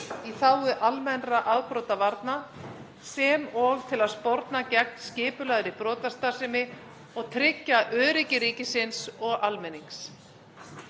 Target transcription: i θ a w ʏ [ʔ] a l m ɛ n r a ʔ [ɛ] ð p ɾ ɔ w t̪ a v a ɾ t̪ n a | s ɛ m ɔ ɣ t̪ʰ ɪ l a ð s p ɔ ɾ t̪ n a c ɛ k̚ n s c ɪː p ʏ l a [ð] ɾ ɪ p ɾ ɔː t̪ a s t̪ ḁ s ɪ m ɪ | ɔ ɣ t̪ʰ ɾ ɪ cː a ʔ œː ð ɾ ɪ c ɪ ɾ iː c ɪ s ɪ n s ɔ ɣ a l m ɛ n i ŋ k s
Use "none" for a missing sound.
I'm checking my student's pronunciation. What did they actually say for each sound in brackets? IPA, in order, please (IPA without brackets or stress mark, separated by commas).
ʔ, a, ð